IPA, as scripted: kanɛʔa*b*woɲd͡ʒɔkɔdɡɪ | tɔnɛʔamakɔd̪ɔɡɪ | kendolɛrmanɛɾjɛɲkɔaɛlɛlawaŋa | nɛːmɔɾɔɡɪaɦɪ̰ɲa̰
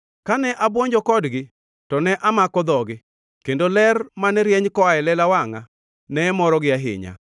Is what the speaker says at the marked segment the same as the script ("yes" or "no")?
yes